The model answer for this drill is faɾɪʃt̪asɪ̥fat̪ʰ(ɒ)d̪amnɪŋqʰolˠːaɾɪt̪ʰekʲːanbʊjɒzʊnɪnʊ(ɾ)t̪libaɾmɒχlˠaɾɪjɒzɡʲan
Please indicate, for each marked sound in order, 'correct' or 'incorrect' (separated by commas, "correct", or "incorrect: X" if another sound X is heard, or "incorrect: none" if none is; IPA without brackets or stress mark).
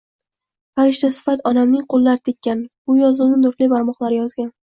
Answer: correct, correct